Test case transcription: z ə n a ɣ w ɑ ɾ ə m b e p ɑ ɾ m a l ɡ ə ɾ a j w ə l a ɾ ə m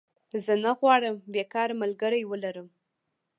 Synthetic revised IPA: z ə n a ɣ w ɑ ɽ ə m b e k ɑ ɾ m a l ɡ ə ɾ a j w ə l a ɾ ə m